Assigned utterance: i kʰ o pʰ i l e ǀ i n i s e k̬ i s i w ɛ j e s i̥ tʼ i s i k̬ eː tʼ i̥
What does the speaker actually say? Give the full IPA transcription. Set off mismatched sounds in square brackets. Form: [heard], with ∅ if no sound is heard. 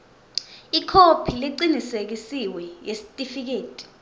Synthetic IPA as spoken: i kʰ o pʰ i l [i] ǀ i n i s e k̬ i s i w ɛ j e s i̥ tʼ i [f] i k̬ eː tʼ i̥